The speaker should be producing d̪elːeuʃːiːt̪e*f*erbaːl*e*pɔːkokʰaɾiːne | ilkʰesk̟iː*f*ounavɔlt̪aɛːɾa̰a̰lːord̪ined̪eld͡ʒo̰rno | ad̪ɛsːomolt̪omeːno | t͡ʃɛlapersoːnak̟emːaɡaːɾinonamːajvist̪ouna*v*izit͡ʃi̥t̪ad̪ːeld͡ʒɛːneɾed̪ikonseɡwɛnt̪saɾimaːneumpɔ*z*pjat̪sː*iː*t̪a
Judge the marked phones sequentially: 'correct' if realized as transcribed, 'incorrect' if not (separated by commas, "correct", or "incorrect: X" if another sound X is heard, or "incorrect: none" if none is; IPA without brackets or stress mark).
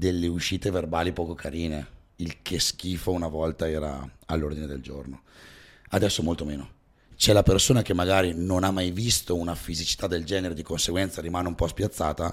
incorrect: v, incorrect: i, correct, incorrect: f, incorrect: s, incorrect: aː